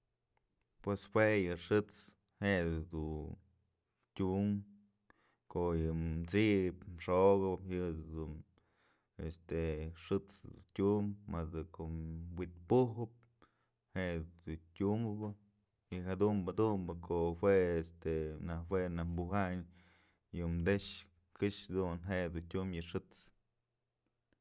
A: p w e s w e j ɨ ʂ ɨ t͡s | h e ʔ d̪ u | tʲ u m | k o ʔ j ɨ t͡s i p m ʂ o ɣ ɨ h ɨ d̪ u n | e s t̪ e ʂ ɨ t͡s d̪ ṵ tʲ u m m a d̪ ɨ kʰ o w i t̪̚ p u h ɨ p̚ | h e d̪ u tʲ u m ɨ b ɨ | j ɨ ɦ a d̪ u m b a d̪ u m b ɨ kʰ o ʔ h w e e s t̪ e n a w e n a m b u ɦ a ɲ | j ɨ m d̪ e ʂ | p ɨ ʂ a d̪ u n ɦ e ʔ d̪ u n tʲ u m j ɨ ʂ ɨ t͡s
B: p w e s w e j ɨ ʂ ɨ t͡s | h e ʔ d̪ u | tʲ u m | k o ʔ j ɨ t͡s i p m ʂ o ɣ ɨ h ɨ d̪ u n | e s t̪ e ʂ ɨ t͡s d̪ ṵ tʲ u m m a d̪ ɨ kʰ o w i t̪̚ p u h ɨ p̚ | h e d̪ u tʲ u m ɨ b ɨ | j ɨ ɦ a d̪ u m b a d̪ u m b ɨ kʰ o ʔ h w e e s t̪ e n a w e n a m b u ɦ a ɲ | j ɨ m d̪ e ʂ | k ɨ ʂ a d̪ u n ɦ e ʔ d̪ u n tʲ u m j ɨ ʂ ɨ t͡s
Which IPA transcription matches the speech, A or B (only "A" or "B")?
B